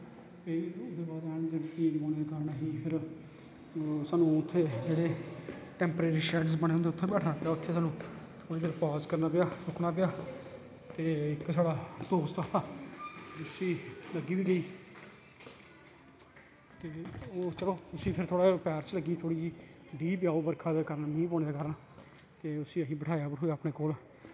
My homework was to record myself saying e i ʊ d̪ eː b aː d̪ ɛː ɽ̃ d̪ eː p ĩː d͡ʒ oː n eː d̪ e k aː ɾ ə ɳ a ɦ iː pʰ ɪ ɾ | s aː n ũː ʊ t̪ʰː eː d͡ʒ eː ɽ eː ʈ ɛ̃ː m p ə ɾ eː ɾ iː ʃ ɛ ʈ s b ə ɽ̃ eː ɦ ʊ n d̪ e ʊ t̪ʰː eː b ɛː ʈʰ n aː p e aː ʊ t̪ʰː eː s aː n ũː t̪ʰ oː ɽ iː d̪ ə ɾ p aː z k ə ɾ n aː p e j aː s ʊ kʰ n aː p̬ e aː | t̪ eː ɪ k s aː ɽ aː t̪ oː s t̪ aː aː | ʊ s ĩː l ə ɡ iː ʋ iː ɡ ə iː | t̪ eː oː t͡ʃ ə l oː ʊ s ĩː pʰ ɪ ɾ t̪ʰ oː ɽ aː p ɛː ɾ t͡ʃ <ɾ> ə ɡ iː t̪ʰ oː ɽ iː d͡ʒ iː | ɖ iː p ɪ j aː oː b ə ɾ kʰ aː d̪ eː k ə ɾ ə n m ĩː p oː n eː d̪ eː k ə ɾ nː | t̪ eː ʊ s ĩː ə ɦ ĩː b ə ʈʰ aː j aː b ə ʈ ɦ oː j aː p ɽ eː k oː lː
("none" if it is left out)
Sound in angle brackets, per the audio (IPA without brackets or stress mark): l